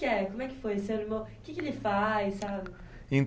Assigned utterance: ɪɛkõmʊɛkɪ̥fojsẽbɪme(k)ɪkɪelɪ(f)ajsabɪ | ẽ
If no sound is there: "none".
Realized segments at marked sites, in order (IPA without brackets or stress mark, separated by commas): k, f